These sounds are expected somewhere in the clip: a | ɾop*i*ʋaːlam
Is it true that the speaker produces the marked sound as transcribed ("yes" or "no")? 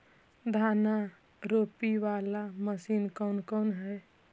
yes